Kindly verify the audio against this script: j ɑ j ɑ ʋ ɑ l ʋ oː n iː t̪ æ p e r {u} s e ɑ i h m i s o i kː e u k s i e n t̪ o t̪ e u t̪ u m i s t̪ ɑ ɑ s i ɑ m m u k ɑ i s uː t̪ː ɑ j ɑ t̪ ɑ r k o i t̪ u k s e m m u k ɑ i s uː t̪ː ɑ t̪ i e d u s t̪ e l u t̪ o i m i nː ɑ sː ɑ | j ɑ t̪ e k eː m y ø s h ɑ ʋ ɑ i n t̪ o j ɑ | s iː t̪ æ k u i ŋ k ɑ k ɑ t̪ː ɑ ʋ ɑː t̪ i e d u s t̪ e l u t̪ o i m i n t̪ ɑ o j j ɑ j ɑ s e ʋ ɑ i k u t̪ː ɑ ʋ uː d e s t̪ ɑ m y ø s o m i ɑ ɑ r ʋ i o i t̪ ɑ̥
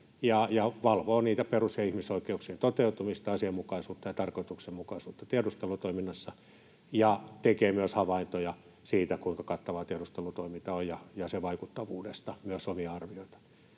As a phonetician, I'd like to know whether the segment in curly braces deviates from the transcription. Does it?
no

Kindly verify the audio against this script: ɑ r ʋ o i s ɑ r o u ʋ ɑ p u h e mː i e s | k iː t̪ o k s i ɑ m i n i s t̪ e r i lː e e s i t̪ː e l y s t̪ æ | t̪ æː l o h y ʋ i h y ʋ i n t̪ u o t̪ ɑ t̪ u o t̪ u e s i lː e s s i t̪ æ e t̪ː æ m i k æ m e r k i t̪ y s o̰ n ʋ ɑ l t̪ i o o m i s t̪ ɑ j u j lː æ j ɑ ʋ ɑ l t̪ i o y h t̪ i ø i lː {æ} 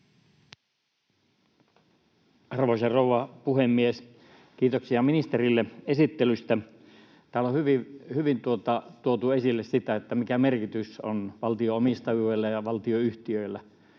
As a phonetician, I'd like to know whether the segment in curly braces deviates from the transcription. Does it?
no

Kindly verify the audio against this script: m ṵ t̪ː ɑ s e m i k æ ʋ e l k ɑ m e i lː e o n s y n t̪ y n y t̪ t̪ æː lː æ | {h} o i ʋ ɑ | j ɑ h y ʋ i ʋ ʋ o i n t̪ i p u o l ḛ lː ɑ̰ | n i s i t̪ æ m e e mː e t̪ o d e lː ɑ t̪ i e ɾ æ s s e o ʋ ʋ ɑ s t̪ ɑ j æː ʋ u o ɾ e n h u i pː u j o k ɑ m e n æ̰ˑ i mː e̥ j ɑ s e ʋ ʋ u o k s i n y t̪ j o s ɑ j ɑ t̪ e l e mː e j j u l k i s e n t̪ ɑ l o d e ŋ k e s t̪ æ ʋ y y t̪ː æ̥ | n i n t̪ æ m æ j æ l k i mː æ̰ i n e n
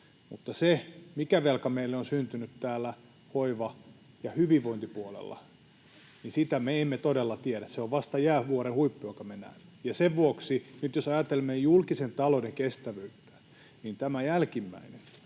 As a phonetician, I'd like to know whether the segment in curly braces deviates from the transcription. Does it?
no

